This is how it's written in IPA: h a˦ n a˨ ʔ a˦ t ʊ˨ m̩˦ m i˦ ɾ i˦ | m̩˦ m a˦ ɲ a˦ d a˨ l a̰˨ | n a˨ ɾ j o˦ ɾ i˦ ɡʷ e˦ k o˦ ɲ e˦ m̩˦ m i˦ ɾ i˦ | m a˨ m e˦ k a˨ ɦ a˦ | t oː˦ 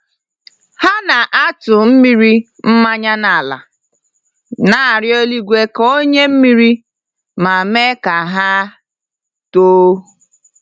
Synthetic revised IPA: h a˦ n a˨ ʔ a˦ t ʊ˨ m̩˦ m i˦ ɾ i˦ | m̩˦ m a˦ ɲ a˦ n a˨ l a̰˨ | n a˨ ɾ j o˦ l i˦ ɡʷ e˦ k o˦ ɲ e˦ m̩˦ m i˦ ɾ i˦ | m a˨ m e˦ k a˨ ɦ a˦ | t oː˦